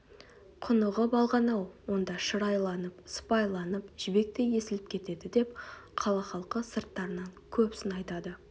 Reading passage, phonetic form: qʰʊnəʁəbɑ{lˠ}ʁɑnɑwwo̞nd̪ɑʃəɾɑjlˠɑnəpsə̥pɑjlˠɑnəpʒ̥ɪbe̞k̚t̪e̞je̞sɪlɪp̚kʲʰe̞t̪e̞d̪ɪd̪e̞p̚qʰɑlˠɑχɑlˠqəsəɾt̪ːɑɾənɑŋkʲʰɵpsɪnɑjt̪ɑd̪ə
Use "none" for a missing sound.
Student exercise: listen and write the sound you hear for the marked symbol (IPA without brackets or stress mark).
lˠ